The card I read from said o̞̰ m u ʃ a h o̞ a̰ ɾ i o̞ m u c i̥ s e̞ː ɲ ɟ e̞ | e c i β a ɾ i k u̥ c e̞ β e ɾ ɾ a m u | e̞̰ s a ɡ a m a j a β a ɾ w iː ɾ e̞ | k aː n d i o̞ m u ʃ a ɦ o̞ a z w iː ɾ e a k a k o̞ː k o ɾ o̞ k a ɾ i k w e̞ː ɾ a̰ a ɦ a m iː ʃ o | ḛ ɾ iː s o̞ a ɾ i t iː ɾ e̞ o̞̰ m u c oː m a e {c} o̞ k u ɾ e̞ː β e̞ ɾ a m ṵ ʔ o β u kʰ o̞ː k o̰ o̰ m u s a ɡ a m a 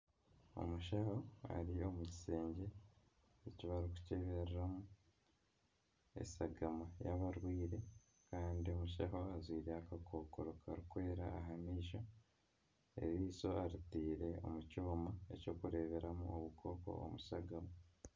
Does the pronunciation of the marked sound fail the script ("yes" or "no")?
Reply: no